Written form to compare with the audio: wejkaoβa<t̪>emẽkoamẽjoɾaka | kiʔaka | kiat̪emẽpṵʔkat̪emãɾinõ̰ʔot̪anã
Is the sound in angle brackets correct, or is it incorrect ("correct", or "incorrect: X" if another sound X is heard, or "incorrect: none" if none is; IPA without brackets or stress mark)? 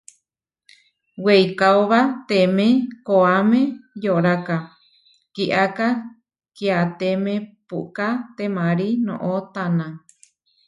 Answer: correct